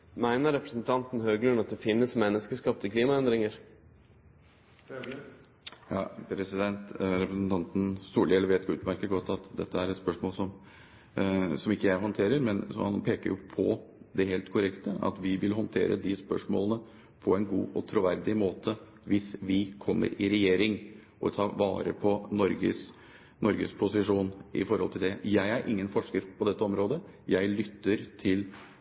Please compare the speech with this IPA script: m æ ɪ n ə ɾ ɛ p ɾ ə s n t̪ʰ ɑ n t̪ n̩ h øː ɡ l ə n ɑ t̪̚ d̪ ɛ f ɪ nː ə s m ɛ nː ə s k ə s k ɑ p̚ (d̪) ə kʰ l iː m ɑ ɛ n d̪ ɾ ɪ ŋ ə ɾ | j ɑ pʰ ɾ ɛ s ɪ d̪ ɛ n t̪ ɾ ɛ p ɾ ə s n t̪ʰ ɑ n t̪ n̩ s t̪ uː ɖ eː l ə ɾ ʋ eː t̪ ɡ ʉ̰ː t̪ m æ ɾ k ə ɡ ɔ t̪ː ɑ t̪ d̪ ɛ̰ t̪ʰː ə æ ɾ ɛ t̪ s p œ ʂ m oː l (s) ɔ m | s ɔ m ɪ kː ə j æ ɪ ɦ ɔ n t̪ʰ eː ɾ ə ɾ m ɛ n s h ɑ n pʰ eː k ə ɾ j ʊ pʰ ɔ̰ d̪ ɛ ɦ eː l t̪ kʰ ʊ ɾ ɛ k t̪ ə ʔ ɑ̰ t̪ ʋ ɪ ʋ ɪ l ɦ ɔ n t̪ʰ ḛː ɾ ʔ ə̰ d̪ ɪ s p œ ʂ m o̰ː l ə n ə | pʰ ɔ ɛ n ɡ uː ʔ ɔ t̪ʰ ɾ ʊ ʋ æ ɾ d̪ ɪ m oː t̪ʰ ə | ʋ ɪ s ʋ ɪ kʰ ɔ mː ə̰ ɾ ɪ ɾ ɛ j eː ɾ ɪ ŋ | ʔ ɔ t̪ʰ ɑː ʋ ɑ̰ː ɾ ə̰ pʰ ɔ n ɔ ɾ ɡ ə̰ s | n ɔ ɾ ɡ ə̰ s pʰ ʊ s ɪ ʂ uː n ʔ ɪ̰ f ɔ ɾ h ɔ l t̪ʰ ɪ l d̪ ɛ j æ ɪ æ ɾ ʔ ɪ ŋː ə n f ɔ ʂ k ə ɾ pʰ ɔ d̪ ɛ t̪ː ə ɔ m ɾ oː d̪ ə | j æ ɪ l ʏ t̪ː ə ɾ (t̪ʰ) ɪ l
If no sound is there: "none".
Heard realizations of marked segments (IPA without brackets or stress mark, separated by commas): t̪, s, t̪ʰ